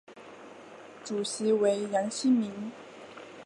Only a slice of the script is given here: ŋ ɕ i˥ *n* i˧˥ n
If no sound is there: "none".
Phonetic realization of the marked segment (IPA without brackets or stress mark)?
m